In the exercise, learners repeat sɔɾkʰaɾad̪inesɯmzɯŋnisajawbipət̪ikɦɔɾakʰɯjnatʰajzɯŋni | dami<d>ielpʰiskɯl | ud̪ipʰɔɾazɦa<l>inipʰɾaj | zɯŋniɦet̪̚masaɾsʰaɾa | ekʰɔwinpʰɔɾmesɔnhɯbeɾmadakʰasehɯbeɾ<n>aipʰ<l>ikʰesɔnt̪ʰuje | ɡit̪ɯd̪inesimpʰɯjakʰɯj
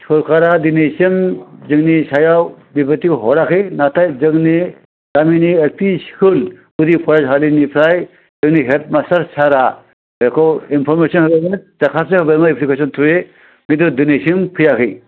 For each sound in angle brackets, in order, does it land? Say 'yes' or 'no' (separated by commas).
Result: no, yes, no, yes